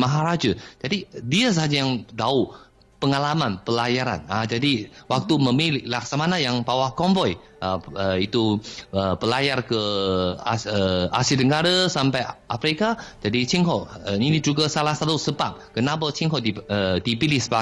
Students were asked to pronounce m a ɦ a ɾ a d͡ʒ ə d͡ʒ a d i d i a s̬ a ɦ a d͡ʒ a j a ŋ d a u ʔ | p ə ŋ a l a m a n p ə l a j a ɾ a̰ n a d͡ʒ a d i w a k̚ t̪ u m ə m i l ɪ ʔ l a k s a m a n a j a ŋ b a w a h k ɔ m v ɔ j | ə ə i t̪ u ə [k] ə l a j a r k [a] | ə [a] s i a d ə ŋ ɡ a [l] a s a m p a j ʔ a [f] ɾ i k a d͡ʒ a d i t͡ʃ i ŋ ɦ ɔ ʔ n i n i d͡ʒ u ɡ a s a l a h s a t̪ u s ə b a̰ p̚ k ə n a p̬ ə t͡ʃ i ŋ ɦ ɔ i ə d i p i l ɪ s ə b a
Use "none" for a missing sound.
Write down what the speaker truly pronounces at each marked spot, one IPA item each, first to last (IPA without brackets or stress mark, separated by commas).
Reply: p, ə, a, ɾ, f